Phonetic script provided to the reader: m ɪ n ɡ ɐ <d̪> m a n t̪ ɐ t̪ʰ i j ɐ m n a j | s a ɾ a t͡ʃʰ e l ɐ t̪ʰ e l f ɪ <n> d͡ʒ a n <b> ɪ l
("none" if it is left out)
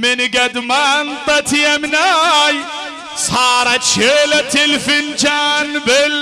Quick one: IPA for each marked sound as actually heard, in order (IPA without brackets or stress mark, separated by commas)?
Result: d̪, n, b